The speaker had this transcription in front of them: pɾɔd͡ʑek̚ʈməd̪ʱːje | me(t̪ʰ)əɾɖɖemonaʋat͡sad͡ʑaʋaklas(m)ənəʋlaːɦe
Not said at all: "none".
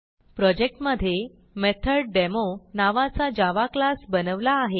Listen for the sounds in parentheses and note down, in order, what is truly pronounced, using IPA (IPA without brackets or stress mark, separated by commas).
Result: t̪ʰ, b